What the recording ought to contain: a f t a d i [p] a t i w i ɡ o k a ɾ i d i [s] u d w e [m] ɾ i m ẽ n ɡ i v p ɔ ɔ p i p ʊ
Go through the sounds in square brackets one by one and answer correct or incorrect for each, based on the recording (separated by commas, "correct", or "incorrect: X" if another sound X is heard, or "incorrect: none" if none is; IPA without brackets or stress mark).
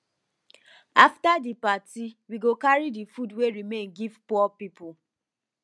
correct, incorrect: f, incorrect: none